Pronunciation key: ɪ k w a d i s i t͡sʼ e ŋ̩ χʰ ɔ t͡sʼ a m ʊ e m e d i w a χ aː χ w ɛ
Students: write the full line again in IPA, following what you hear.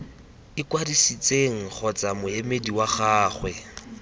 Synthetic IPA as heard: ɪ k w a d i s i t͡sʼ e ŋ̩ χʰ ɔ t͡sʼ a m ʊ e m e d i w a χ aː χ w ɛ